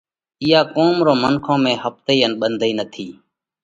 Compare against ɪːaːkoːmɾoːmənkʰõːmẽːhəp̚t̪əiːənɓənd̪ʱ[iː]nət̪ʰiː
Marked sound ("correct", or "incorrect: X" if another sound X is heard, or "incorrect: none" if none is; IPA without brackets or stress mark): correct